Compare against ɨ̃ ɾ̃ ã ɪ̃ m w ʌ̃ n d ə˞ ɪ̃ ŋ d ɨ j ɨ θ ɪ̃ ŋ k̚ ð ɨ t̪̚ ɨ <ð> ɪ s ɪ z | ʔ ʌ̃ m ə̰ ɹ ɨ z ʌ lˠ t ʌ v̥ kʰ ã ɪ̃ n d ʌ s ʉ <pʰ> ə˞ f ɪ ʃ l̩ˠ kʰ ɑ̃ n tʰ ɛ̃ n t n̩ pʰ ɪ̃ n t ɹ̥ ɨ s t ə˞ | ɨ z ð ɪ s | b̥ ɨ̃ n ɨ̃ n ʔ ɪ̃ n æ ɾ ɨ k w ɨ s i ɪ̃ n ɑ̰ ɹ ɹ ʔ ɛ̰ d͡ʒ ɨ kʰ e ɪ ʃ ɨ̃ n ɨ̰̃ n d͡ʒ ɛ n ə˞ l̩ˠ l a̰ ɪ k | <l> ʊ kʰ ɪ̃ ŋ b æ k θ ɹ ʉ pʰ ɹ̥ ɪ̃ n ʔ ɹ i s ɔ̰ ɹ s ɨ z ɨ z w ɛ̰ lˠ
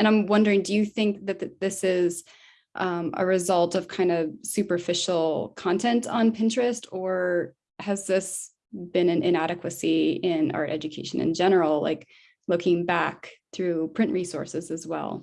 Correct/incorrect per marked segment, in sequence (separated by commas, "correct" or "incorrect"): correct, incorrect, correct